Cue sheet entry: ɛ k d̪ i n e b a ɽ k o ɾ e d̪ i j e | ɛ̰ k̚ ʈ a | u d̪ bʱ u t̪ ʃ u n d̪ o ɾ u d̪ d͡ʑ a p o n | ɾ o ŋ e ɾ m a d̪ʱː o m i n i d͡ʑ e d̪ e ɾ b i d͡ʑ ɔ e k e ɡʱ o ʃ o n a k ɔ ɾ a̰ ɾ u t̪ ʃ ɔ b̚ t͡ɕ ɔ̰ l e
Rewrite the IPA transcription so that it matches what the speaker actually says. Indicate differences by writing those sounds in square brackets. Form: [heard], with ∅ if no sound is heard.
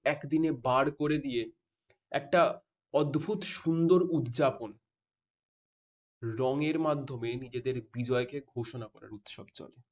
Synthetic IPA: ɛ k d̪ i n e b a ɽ k o ɾ e d̪ i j e | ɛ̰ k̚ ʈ a | [ɔ] d̪ bʱ u t̪ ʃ u n d̪ o ɾ u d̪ d͡ʑ a p o n | ɾ [ɔ] ŋ e ɾ m a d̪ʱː o m [e] n i d͡ʑ e d̪ e ɾ b i d͡ʑ ɔ e k e ɡʱ o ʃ o n a k ɔ ɾ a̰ ɾ u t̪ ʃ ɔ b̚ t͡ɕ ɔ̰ l e